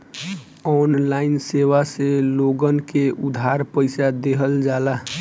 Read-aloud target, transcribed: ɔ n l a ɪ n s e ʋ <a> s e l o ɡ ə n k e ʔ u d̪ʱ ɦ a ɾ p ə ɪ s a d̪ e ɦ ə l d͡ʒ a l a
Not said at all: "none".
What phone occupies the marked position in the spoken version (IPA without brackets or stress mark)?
a